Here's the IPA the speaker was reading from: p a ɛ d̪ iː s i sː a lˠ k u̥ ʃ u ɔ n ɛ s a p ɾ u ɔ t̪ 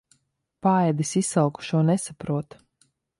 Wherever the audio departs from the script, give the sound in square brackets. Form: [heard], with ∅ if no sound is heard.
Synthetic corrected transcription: p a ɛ d̪ [i] s i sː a lˠ k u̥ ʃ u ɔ n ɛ s a p ɾ u ɔ t̪